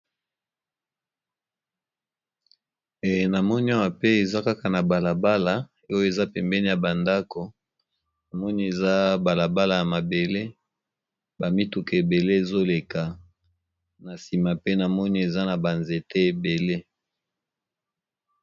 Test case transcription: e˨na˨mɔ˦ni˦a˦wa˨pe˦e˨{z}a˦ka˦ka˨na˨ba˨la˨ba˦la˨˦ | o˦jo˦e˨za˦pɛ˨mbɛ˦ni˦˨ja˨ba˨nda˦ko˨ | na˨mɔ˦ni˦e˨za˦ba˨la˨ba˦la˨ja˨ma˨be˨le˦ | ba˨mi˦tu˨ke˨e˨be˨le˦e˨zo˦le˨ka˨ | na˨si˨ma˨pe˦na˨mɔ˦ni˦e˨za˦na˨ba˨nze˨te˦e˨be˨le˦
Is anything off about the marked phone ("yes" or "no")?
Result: no